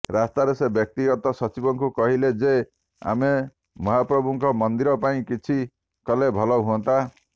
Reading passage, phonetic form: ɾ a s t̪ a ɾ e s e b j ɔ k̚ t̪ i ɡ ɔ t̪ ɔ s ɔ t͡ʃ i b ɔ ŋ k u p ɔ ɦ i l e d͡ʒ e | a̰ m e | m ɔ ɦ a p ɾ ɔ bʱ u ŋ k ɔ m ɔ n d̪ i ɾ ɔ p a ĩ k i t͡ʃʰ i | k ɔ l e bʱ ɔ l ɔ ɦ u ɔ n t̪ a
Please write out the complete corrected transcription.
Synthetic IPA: ɾ a s t̪ a ɾ e s e b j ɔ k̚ t̪ i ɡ ɔ t̪ ɔ s ɔ t͡ʃ i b ɔ ŋ k u k ɔ ɦ i l e d͡ʒ e | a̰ m e | m ɔ ɦ a p ɾ ɔ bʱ u ŋ k ɔ m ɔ n d̪ i ɾ ɔ p a ĩ k i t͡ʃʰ i | k ɔ l e bʱ ɔ l ɔ ɦ u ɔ n t̪ a